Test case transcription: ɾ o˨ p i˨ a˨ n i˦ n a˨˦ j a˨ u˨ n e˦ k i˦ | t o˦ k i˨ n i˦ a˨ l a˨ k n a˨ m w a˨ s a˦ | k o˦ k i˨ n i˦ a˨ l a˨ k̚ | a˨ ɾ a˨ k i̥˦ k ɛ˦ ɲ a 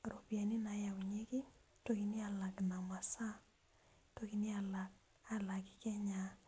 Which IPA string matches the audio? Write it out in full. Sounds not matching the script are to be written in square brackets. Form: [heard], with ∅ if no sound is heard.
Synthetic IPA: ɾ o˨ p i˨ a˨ n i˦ n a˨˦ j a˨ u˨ [ɲ] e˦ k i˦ | t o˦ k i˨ n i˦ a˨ l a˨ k n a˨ m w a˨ s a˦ | [t] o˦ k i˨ n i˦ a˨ l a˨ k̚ | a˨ [l] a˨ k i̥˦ k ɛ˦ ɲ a